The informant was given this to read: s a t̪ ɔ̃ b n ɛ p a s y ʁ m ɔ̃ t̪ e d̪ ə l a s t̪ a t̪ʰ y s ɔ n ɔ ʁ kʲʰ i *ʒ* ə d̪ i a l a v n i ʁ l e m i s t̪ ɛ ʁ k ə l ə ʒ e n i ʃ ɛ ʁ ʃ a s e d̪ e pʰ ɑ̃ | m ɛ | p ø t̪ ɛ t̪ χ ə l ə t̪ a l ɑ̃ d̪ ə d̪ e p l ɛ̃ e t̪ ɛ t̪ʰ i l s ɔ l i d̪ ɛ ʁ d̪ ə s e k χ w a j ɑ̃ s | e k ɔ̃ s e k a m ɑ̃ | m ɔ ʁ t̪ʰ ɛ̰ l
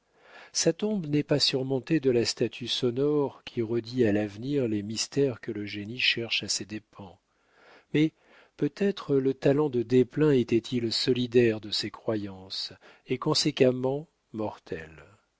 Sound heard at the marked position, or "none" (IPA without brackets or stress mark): ʁ